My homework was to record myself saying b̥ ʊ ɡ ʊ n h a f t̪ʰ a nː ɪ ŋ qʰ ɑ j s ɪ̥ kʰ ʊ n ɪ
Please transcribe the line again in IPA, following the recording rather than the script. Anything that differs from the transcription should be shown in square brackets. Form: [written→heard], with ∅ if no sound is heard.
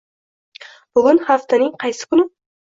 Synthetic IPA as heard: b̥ ʊ ɡ ʊ n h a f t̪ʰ a [nː→n] ɪ ŋ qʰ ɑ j s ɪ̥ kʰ ʊ n ɪ